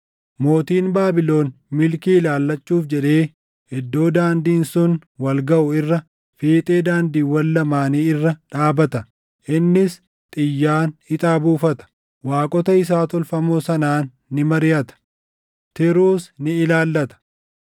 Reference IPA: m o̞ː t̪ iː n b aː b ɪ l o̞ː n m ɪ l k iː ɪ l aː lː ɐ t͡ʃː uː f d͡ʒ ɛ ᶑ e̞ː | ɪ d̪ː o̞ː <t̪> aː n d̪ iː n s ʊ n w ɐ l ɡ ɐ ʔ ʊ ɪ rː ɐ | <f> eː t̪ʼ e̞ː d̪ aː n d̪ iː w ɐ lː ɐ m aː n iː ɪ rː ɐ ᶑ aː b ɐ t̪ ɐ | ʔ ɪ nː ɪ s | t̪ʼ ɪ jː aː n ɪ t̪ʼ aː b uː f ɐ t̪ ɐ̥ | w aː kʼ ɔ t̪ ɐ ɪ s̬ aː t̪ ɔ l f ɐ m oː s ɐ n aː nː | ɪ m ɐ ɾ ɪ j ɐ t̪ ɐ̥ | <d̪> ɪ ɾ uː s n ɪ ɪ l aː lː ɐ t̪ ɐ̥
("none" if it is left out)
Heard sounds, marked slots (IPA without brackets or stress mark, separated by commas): d̪, f, t̪